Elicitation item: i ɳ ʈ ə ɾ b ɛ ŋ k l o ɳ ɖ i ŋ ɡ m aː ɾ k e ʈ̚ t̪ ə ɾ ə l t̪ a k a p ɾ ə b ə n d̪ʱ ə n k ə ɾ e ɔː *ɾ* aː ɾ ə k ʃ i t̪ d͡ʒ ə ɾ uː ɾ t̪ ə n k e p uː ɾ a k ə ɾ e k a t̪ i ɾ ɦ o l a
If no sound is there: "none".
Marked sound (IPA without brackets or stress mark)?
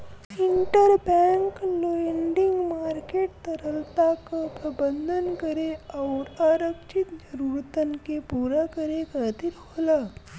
ɾ